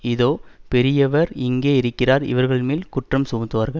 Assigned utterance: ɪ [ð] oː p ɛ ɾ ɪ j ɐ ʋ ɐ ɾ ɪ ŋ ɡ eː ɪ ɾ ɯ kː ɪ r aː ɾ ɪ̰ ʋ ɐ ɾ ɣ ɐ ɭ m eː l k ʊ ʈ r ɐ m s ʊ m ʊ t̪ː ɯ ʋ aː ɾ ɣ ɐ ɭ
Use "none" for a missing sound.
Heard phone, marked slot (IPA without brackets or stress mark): ð